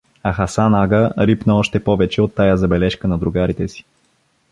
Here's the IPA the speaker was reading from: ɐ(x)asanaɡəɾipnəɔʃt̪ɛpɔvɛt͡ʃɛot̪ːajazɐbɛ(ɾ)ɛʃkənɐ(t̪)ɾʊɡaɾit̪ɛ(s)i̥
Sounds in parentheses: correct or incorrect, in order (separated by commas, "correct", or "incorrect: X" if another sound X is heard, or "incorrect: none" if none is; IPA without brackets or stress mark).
correct, incorrect: l, incorrect: d̪, correct